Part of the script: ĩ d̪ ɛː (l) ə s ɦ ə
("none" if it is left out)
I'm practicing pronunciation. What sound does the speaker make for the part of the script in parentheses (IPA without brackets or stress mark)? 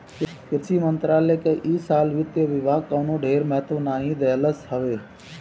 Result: l